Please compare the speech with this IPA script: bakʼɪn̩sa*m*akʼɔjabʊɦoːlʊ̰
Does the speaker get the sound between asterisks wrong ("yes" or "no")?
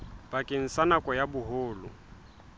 yes